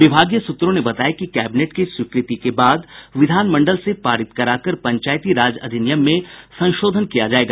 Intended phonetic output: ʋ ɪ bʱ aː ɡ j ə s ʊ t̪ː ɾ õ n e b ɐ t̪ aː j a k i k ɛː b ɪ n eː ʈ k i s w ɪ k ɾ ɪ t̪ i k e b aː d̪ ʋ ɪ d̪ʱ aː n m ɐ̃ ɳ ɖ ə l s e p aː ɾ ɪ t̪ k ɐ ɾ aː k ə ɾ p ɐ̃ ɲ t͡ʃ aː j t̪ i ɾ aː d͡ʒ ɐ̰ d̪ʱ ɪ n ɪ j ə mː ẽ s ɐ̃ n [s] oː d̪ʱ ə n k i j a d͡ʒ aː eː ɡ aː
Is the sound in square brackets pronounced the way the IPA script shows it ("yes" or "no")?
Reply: no